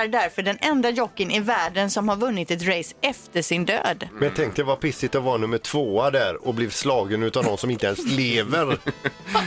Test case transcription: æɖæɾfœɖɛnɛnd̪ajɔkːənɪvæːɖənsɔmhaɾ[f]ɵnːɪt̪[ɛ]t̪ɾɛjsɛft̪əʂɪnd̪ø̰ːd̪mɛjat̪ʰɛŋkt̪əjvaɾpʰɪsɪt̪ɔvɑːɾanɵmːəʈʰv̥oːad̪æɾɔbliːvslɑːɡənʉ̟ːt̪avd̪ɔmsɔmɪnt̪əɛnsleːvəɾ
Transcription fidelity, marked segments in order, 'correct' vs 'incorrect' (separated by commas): incorrect, correct